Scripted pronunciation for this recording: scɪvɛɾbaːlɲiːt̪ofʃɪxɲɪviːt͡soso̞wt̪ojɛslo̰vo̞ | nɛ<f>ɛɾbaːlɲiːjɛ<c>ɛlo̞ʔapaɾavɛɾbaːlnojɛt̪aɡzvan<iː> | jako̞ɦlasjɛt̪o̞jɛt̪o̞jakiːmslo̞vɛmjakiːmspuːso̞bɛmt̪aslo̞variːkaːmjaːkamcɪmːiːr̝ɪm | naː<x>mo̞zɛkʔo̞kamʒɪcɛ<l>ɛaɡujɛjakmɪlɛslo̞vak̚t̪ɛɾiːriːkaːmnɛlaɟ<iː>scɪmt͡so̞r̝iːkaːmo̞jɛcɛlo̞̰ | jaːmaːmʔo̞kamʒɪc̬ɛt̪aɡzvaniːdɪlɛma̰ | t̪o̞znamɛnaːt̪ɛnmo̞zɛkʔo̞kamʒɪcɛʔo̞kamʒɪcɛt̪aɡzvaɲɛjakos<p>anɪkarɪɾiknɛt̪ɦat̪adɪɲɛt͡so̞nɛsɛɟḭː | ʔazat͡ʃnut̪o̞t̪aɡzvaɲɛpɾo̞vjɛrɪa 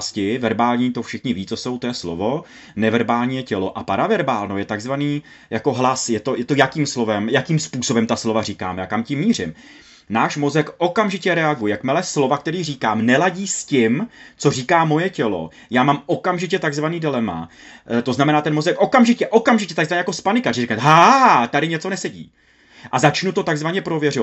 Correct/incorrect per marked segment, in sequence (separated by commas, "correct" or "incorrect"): incorrect, correct, correct, incorrect, incorrect, correct, correct